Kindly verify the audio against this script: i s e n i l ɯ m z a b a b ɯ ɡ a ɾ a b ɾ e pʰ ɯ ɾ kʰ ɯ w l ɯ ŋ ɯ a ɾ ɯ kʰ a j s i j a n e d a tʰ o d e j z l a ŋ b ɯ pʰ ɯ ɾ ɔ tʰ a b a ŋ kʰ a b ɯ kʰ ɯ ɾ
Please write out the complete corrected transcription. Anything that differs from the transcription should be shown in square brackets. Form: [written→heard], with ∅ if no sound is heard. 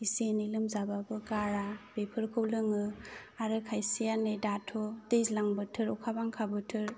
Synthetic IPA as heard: i s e n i l ɯ m z a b a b ɯ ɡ a ɾ a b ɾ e pʰ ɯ ɾ kʰ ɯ w l ɯ ŋ ɯ a ɾ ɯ kʰ a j s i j a n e d a tʰ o d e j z l a ŋ b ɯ [pʰ→tʰ] ɯ ɾ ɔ [tʰ→kʰ] a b a ŋ kʰ a b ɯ [kʰ→tʰ] ɯ ɾ